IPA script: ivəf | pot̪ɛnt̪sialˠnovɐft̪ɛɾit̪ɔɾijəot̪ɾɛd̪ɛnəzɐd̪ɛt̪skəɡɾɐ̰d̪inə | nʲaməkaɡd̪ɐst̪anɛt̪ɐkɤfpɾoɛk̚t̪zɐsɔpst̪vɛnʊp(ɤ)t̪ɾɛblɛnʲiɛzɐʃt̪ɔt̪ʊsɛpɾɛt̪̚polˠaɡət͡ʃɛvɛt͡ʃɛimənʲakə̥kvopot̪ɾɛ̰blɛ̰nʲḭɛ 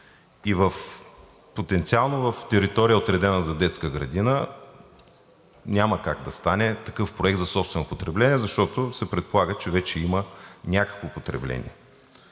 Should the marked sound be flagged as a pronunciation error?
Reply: yes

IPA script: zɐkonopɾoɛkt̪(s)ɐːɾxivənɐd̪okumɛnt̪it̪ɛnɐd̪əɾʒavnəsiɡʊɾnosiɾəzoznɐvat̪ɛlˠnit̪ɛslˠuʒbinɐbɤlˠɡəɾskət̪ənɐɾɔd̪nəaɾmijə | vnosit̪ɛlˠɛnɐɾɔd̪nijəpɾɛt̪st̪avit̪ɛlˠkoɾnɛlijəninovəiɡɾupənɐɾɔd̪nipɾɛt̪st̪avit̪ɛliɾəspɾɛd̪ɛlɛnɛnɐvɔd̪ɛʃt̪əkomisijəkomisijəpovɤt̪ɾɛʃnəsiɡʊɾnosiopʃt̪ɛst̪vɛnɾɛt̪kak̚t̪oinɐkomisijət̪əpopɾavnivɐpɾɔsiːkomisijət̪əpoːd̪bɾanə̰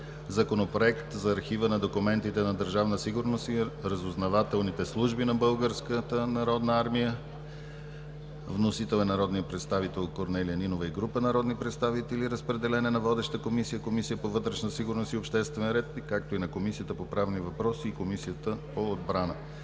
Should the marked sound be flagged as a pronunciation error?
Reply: yes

